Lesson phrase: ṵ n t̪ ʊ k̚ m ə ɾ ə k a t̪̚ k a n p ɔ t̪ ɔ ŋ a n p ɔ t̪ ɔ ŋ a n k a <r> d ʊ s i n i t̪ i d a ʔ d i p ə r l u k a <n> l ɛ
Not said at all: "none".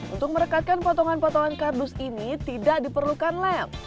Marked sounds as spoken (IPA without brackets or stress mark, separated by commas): r, n